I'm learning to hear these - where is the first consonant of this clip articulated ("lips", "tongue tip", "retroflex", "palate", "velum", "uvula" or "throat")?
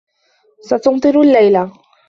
tongue tip